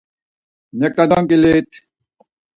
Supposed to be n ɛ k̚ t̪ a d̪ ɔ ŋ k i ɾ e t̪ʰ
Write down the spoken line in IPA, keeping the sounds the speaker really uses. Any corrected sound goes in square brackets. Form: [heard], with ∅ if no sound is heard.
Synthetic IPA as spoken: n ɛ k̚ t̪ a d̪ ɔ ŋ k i [l] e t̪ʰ